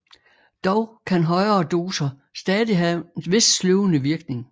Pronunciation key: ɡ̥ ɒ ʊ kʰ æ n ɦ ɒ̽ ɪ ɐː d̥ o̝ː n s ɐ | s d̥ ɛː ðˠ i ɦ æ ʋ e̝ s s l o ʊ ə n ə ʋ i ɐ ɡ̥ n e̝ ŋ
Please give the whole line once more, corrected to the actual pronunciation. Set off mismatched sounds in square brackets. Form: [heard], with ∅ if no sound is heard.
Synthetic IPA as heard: [d̥] ɒ ʊ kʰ æ n ɦ ɒ̽ ɪ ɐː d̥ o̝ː [∅] s ɐ | s d̥ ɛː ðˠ i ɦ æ ʋ e̝ s s l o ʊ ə n ə ʋ i ɐ ɡ̥ n e̝ ŋ